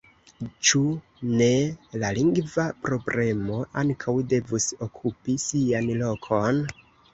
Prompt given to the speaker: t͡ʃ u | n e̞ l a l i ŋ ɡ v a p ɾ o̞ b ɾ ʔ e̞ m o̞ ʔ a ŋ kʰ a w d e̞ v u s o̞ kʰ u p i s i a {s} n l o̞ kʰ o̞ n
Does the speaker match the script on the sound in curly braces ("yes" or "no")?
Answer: no